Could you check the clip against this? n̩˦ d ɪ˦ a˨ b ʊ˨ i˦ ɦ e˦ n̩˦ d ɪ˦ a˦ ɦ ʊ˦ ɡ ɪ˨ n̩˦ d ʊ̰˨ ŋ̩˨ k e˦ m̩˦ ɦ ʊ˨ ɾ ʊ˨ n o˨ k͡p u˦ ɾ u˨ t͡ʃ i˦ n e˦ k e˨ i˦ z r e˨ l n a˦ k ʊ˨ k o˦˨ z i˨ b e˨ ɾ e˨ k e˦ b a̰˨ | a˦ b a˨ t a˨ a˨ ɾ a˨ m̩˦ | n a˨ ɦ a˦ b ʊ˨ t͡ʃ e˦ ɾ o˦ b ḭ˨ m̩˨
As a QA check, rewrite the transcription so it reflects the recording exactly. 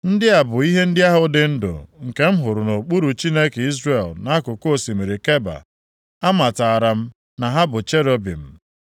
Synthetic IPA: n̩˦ d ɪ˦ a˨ b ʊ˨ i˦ ɦ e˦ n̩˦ d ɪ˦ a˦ ɦ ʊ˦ d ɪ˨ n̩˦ d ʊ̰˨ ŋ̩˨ k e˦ m̩˦ ɦ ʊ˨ ɾ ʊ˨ n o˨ k͡p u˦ ɾ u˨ t͡ʃ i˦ n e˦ k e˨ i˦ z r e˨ l n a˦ k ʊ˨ k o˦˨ s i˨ m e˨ ɾ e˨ k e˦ b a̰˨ | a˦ m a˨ t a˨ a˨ ɾ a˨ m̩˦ | n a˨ ɦ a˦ b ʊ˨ t͡ʃ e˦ ɾ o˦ b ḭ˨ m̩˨